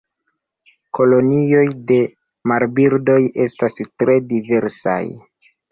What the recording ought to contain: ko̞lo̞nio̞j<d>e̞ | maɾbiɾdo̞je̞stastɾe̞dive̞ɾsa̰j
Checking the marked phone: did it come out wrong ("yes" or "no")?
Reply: no